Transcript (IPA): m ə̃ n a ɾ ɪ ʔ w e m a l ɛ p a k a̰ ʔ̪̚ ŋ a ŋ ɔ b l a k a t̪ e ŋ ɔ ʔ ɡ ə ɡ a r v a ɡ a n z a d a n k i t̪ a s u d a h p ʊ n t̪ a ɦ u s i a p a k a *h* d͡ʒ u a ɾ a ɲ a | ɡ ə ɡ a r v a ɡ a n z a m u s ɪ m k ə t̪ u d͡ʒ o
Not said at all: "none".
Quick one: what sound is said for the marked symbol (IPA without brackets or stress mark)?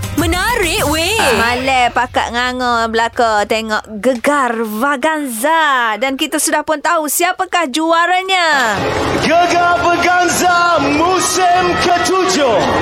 h